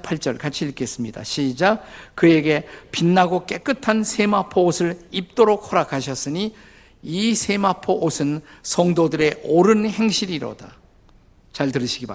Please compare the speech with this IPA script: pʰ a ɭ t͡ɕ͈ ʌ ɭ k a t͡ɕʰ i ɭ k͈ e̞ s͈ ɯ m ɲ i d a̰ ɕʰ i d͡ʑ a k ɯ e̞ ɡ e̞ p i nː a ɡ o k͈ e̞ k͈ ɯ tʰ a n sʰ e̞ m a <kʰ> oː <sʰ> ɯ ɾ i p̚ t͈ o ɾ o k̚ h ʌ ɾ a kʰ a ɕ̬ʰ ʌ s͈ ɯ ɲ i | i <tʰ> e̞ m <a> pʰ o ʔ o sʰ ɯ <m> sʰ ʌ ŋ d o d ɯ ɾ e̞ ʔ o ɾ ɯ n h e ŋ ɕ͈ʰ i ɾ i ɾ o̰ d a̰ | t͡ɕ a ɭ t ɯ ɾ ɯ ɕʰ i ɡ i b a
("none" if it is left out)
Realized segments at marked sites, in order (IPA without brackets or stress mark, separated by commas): pʰ, sʰ, sʰ, a, n